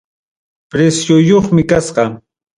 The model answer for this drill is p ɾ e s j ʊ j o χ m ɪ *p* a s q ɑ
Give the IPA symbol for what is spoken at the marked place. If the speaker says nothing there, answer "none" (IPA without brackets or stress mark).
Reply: k